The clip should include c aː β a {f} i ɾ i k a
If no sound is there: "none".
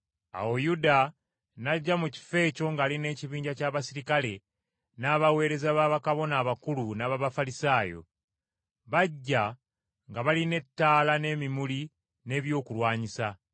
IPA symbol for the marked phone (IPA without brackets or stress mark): s